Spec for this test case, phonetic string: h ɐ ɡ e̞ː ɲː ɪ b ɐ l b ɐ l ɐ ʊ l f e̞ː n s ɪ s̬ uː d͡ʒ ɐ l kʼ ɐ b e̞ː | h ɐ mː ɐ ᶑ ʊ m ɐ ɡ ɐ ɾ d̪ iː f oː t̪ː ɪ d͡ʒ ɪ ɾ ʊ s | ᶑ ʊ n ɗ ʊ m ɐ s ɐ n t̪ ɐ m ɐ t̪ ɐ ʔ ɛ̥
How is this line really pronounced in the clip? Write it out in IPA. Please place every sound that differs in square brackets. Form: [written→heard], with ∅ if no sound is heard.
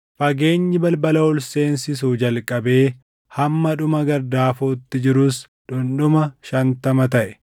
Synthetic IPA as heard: [h→f] ɐ ɡ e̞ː ɲː ɪ b ɐ l b ɐ l ɐ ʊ l [f→s] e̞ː n s ɪ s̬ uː d͡ʒ ɐ l kʼ ɐ b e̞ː | h ɐ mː ɐ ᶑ ʊ m ɐ ɡ ɐ ɾ d̪ [iː→aː] f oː t̪ː ɪ d͡ʒ ɪ ɾ ʊ s | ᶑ ʊ n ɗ ʊ m ɐ [s→ʃ] ɐ n t̪ ɐ m ɐ t̪ ɐ ʔ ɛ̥